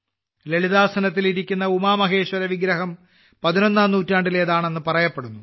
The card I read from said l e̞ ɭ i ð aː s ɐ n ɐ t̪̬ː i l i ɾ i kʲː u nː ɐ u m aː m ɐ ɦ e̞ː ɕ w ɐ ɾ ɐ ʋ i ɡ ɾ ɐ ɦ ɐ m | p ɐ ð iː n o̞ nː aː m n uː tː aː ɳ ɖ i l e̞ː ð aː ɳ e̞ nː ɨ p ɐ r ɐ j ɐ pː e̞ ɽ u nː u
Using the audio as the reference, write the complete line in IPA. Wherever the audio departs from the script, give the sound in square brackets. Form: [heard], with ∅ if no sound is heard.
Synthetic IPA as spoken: l e̞ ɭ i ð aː s ɐ n ɐ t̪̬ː i l i ɾ i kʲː u nː ɐ u m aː m ɐ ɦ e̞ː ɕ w ɐ ɾ ɐ ʋ i ɡ ɾ ɐ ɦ ɐ m | p ɐ ð [i] n o̞ nː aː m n uː tː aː ɳ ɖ i l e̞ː ð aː ɳ e̞ nː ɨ p ɐ r ɐ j ɐ pː e̞ ɽ u nː u